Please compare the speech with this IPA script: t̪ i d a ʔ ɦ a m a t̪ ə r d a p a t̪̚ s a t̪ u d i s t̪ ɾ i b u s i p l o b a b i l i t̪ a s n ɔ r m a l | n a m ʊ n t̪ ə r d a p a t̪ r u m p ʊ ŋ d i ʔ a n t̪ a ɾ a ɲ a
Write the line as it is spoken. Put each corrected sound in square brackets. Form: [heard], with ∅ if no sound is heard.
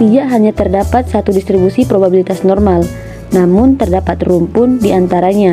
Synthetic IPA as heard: t̪ i d a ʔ ɦ a [ɲ] a t̪ ə r d a p a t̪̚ s a t̪ u d i s t̪ ɾ i b u s i p [ɾ] o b a b i l i t̪ a s n ɔ r m a l | n a m ʊ n t̪ ə r d a p a t̪ r u m p ʊ [n] d i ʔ a n t̪ a ɾ a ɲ a